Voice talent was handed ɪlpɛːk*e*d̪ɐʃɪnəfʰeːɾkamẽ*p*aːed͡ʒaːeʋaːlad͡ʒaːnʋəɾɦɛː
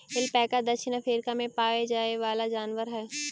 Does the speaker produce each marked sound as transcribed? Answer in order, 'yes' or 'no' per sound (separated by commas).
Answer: no, yes